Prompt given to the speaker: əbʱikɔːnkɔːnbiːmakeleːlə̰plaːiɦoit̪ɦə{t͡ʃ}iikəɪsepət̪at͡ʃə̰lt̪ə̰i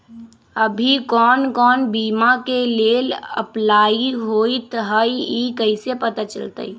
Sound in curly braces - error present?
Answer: yes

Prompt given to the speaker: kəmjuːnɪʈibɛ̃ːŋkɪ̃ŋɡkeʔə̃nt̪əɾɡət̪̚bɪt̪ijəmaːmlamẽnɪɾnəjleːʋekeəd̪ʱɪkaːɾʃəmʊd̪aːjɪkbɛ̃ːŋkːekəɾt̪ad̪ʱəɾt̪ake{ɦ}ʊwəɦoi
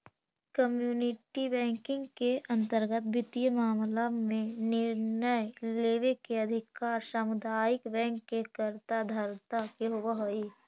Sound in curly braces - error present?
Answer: no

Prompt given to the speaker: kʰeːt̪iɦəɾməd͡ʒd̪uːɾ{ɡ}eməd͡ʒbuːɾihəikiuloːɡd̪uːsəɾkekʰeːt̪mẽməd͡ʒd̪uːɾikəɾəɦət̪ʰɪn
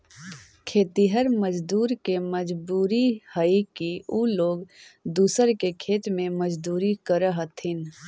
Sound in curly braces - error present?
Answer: yes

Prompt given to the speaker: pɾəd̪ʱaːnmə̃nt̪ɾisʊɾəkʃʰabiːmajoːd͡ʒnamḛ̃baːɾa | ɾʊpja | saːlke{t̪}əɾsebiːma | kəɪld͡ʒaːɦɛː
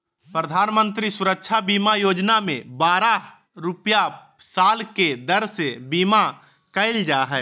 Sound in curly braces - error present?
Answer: yes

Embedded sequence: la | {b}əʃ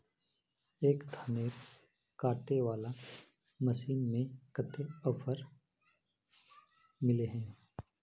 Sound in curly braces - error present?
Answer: yes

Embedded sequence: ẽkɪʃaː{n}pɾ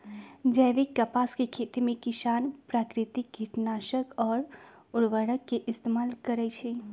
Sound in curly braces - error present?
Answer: no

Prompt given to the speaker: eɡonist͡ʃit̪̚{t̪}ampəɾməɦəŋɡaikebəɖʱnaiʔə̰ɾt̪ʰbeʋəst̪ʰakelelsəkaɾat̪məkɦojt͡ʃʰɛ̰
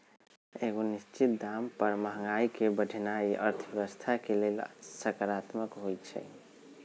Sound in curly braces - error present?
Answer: yes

